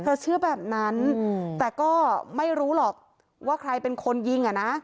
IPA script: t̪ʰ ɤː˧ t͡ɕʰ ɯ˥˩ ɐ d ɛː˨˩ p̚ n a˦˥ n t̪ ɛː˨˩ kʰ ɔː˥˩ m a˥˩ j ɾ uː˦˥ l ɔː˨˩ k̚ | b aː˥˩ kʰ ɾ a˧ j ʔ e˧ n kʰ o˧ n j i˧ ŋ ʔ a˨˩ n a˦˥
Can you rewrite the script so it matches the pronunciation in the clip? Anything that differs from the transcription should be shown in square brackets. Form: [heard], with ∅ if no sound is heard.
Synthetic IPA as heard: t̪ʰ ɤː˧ t͡ɕʰ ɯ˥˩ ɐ [b] ɛː˨˩ p̚ n a˦˥ n t̪ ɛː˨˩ [k] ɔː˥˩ m a˥˩ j ɾ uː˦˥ l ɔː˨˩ k̚ | [w] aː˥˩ kʰ ɾ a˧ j [p] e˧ n kʰ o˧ n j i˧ ŋ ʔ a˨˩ n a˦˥